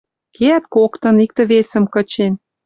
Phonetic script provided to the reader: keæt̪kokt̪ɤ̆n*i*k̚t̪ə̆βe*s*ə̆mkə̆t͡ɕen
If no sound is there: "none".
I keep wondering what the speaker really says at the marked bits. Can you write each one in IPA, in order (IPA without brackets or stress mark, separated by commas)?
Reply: i, s